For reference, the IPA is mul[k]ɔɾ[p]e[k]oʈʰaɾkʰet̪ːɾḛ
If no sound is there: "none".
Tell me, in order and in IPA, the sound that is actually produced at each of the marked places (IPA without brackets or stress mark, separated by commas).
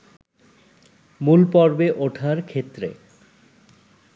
p, b, ʔ